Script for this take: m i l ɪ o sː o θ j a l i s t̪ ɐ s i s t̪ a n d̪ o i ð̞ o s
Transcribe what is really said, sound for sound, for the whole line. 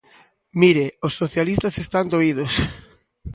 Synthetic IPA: m i ɾ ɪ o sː o θ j a l i s t̪ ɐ s e s t̪ a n d̪ o i ð̞ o s